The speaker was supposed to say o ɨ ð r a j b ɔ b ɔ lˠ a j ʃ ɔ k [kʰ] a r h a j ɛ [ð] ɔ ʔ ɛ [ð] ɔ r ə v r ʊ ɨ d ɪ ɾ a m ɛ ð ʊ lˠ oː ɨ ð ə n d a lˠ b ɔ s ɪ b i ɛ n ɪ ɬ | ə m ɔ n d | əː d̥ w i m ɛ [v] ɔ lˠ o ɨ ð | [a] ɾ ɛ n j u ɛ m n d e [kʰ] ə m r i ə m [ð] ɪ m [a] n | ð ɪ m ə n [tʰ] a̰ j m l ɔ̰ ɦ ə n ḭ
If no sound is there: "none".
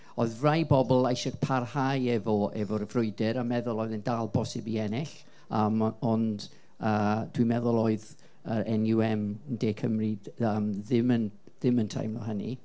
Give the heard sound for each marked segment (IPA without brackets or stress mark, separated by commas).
pʰ, v, v, ð, ə, kʰ, ð, ə, tʰ